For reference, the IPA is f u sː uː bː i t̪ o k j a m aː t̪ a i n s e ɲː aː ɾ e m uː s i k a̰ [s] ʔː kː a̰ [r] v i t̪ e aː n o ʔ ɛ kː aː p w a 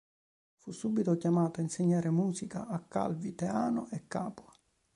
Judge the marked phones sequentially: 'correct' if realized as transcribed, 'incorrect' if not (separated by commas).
incorrect, incorrect